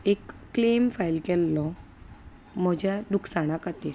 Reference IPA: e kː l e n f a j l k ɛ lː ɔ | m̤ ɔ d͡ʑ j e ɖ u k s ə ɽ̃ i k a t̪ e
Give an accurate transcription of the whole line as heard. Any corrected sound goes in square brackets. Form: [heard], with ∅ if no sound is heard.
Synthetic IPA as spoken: e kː l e [m] f a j l k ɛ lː ɔ | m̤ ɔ d͡ʑ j [a] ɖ u k s [a] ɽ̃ [a] k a t̪ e